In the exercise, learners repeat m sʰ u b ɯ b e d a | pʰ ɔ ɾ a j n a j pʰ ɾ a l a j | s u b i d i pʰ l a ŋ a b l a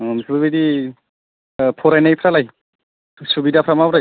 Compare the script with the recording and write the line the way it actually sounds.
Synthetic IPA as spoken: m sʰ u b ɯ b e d i | pʰ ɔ ɾ a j n a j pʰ ɾ a l a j | s u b i d a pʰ ɾ a m a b ɾ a

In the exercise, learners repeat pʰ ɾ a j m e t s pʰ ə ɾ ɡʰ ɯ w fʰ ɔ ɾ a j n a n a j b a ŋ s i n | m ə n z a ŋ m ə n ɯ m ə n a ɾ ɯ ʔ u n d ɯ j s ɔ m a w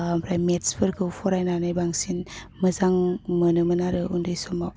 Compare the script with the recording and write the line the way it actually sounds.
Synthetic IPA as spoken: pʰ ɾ a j m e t s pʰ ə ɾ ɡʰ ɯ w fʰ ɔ ɾ a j n a n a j b a ŋ s i n | m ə z a ŋ m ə n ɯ m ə n a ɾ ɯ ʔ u n d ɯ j s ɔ m a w

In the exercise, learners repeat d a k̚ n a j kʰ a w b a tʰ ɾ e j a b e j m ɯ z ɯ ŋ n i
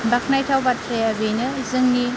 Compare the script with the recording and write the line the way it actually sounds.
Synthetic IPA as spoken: b a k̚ n a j tʰ a w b a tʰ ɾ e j a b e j n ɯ z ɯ ŋ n i

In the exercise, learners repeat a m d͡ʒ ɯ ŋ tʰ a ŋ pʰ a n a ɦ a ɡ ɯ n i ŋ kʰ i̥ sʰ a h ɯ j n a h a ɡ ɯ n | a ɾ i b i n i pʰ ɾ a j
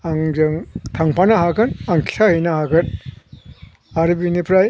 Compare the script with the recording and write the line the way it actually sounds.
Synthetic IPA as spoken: a ŋ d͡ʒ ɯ ŋ tʰ a ŋ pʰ a n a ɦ a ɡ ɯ n a ŋ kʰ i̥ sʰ a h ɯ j n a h a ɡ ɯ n | a ɾ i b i n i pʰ ɾ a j

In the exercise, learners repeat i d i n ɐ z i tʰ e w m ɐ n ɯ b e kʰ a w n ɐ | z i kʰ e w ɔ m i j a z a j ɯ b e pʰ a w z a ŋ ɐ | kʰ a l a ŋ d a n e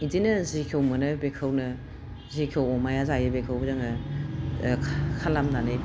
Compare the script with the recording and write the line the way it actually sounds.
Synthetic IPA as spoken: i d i n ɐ z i kʰ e w m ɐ n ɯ b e kʰ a w n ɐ | z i kʰ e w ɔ m a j a z a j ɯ b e kʰ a w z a ŋ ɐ | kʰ a l a m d a n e

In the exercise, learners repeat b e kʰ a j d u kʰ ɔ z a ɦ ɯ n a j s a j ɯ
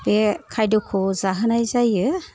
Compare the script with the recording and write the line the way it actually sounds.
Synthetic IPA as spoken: b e kʰ a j d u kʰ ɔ z a ɦ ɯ n a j z a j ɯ

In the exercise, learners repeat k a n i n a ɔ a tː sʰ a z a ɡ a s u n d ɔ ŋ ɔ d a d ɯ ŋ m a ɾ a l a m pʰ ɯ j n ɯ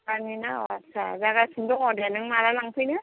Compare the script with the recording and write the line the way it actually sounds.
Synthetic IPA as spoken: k a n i n a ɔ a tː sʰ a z a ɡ a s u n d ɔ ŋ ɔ d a n ɯ ŋ m a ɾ a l a ŋ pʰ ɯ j n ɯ

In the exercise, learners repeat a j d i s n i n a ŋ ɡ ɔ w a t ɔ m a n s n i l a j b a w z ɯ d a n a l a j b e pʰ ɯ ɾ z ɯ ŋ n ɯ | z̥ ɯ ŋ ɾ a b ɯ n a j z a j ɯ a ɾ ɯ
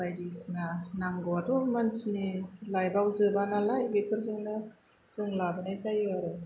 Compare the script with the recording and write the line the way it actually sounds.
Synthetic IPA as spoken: a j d i s n a n a ŋ ɡ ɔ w a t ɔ m a n s n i l a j b a w z ɯ b a n a l a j b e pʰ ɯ ɾ z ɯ ŋ n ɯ | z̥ ɯ ŋ l a b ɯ n a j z a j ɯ a ɾ ɯ

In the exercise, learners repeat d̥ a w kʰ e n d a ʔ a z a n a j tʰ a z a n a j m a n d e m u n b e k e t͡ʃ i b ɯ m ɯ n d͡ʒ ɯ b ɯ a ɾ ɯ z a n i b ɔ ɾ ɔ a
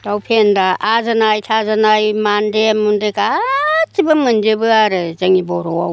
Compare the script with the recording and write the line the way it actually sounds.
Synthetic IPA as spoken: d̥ a w pʰ e n d a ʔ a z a n a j tʰ a z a n a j m a n d e m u n d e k a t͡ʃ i b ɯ m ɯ n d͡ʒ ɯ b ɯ a ɾ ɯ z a ŋ i b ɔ ɾ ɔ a

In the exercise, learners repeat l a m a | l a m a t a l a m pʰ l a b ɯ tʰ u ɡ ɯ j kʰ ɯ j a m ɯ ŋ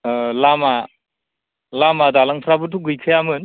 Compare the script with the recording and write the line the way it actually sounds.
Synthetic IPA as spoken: l a m a | l a m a d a l a ŋ pʰ ɾ a b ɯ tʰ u ɡ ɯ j kʰ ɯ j a m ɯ n

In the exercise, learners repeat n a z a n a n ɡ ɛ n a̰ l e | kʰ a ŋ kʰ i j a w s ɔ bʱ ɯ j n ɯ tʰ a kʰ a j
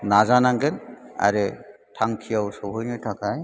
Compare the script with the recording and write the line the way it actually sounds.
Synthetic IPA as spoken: n a z a n a ŋ ɡ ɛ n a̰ ɾ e | tʰ a ŋ kʰ i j a w s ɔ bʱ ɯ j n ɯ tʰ a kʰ a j

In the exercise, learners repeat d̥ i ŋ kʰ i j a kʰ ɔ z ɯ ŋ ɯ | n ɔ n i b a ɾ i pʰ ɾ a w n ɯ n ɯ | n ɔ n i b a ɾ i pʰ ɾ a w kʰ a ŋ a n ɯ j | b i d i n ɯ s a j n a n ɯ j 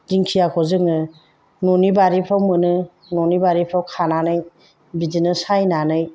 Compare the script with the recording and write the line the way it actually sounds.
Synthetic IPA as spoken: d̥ i ŋ kʰ i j a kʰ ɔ z ɯ ŋ ɯ | n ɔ n i b a ɾ i pʰ ɾ a w m ɯ n ɯ | n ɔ n i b a ɾ i pʰ ɾ a w kʰ a n a n ɯ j | b i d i n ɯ s a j n a n ɯ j

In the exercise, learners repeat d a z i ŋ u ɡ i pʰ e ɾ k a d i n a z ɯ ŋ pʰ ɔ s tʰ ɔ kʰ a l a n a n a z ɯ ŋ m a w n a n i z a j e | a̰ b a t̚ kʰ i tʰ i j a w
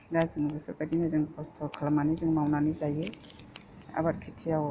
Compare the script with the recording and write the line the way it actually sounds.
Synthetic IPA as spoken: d a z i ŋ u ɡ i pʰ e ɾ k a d i n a z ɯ ŋ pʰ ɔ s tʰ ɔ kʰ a l a m a n i z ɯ ŋ m a w n a n i z a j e | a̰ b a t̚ kʰ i tʰ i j a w

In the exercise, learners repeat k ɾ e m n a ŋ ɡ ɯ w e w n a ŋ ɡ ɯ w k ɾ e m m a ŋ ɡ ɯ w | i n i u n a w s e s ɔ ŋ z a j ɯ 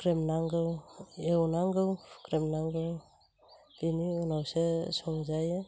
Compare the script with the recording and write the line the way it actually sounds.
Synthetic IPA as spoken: k ɾ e m n a ŋ ɡ ɯ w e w n a ŋ ɡ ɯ w k ɾ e m n a ŋ ɡ ɯ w | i n i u n a w s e s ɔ ŋ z a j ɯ

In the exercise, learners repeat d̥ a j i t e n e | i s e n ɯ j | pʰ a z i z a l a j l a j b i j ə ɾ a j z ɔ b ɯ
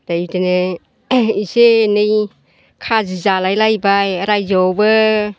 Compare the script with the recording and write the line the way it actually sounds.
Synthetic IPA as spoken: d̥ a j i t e n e | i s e n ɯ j | kʰ a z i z a l a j l a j b a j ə ɾ a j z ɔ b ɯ

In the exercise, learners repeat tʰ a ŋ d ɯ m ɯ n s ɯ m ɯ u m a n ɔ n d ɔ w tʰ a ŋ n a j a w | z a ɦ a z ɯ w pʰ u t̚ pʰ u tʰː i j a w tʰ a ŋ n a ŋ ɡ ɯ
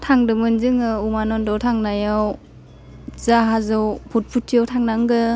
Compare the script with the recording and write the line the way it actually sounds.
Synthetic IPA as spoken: tʰ a ŋ d ɯ m ɯ n z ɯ ŋ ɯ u m a n ɔ n d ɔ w tʰ a ŋ n a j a w | z a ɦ a z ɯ w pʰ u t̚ pʰ u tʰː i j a w tʰ a ŋ n a ŋ ɡ ɯ

